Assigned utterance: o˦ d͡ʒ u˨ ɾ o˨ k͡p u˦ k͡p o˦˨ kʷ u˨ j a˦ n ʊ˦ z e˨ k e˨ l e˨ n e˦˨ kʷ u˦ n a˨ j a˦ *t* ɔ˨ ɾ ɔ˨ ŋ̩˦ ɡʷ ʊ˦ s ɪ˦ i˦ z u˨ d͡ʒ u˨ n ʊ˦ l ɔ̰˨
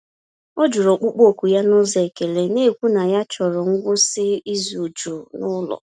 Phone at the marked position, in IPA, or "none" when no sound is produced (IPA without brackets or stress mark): t͡ʃ